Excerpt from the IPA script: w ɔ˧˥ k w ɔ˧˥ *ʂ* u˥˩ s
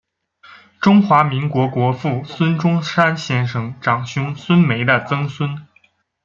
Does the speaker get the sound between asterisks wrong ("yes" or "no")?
yes